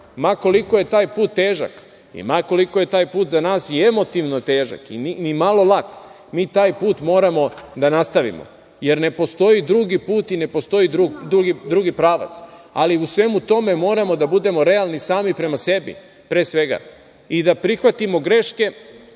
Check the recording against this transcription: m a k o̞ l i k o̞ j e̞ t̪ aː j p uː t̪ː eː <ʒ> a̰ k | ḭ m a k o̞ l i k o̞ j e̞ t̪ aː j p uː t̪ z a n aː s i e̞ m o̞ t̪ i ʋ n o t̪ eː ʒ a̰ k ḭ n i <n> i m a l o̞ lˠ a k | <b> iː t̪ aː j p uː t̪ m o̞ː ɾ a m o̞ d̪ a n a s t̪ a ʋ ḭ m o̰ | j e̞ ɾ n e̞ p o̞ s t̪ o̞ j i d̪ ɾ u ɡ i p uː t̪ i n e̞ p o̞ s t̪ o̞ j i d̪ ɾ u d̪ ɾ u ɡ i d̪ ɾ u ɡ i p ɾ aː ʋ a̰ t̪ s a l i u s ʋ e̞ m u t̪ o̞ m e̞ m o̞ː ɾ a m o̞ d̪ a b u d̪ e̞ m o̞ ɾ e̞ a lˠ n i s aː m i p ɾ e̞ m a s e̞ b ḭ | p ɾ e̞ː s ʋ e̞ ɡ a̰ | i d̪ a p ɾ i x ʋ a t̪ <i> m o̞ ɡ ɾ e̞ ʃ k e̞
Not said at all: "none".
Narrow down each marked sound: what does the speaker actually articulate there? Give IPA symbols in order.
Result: ʒ, n, m, i

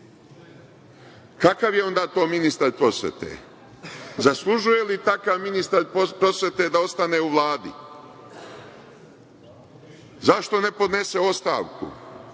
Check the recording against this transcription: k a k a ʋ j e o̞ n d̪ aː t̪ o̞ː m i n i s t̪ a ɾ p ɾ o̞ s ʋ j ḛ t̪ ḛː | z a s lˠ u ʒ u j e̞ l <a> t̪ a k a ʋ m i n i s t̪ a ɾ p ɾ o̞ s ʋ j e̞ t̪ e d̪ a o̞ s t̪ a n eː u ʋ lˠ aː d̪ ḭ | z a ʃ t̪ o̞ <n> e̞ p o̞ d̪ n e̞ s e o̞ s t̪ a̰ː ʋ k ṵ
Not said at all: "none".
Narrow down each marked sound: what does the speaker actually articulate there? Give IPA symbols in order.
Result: i, n

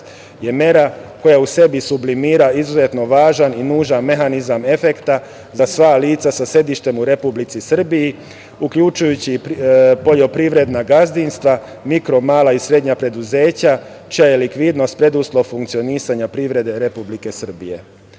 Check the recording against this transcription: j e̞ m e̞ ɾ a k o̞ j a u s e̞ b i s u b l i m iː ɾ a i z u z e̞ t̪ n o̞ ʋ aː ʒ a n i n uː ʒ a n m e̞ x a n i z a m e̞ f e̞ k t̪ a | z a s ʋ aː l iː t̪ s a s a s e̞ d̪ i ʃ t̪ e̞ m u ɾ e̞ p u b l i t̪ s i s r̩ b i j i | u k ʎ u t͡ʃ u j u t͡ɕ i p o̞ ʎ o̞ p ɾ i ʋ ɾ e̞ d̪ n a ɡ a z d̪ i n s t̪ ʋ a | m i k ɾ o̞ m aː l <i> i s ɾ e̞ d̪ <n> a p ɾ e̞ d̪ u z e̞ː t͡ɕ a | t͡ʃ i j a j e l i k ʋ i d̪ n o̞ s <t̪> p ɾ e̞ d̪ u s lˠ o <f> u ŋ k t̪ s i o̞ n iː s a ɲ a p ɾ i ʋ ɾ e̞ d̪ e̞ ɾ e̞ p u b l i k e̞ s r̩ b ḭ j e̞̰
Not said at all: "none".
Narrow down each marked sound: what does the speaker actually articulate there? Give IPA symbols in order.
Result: a, ɲ, t̪, f

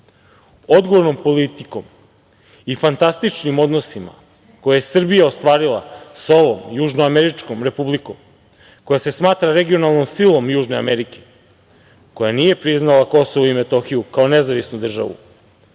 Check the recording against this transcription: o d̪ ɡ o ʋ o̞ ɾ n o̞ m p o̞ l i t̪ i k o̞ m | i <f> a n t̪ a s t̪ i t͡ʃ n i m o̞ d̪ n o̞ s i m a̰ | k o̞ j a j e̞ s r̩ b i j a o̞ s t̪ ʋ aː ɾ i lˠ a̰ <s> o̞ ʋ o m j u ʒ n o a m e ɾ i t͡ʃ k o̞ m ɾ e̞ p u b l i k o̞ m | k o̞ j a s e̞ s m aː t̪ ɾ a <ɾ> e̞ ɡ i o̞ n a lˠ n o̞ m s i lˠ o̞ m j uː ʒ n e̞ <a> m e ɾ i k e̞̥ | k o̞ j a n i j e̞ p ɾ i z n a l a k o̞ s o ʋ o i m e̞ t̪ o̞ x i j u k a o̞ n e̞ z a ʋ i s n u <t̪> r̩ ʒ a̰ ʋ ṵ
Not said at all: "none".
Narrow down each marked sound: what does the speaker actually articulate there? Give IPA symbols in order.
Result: f, s, ɾ, a, d̪

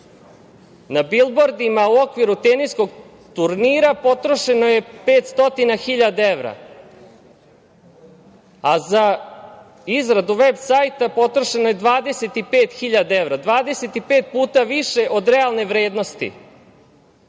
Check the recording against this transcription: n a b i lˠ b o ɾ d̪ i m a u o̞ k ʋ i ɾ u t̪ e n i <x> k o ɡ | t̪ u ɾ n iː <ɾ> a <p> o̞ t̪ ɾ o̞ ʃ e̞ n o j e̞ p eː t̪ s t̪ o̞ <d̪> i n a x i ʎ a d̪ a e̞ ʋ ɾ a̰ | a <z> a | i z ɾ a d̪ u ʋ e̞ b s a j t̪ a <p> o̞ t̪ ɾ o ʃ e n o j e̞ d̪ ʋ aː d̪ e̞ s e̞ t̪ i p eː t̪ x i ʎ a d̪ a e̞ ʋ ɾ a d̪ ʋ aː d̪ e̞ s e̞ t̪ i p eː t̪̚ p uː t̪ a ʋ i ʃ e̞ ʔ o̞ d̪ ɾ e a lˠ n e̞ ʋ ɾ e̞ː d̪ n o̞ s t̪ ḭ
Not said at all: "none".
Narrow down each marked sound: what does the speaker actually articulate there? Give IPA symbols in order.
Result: s, ɾ, p, t̪, z, p

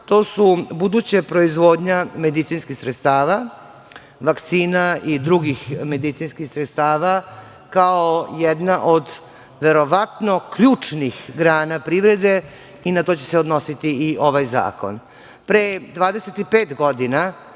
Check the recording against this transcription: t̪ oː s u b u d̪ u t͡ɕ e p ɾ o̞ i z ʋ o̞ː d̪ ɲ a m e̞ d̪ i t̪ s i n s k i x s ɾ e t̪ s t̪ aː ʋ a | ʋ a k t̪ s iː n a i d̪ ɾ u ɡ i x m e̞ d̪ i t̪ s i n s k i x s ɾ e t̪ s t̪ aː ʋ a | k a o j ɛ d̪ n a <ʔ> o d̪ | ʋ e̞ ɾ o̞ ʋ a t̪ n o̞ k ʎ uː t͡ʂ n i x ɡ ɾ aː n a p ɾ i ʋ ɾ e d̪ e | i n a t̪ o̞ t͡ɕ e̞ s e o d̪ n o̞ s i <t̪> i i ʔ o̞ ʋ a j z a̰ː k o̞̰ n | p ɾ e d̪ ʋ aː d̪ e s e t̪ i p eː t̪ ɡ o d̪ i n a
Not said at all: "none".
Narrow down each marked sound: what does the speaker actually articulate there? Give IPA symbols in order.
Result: ʔ, t̪

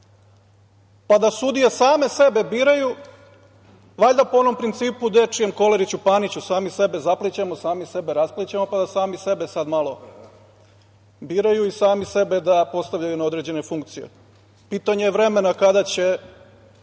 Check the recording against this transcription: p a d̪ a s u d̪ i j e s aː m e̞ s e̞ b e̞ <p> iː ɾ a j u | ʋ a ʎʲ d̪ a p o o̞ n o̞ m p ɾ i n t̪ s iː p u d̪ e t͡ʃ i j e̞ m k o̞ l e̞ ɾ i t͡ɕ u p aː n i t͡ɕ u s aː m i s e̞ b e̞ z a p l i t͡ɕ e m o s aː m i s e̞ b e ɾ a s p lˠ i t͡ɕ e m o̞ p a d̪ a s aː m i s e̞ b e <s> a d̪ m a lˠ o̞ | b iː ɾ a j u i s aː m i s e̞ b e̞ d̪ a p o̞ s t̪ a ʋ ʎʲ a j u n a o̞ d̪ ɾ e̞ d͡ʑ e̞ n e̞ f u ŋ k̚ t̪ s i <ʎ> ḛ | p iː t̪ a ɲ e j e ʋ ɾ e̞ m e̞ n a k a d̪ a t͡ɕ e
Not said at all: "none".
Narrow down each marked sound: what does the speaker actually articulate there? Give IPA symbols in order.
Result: b, s, j

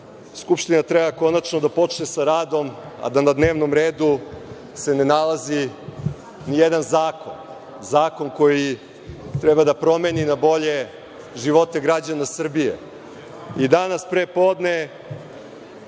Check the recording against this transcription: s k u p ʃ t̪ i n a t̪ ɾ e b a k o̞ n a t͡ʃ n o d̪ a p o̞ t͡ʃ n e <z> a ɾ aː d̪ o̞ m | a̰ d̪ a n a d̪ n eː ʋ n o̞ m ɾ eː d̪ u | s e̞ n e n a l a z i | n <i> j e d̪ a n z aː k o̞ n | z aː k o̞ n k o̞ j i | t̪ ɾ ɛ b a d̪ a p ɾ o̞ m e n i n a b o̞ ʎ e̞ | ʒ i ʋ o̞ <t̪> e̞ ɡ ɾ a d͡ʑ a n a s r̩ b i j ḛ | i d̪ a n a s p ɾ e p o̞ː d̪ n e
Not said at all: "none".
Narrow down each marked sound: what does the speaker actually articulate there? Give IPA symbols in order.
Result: s, i, t̪

